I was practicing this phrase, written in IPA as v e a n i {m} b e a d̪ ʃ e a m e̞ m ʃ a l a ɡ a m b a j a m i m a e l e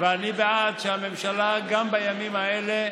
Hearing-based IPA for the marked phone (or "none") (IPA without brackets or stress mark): none